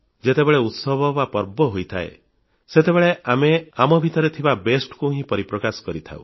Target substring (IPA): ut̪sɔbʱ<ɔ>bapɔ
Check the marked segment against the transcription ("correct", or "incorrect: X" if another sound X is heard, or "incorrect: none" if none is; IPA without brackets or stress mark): correct